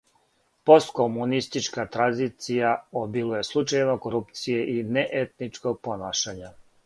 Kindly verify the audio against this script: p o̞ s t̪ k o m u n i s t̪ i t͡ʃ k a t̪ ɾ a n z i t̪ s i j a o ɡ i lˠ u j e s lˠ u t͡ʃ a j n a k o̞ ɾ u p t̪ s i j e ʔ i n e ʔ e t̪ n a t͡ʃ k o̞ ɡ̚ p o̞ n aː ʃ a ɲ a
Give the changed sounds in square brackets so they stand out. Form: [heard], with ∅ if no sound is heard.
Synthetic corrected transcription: p o̞ s t̪ k o m u n i s t̪ i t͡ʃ k a t̪ ɾ a n z i t̪ s i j a o [b] i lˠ u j e s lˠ u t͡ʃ a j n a k o̞ ɾ u p t̪ s i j e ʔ i n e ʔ e t̪ n [i] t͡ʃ k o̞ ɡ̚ p o̞ n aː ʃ a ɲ a